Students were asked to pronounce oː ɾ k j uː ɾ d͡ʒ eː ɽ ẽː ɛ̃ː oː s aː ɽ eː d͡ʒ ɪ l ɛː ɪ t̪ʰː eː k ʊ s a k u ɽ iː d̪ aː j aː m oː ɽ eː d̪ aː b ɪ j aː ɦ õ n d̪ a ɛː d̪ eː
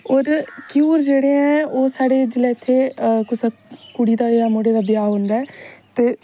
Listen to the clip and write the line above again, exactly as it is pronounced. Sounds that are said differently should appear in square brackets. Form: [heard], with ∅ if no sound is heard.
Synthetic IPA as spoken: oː ɾ k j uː ɾ d͡ʒ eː ɽ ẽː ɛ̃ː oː s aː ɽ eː d͡ʒ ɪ l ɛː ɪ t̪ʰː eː k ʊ s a k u ɽ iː d̪ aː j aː m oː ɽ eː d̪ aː b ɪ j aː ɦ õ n d̪ a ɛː [t̪] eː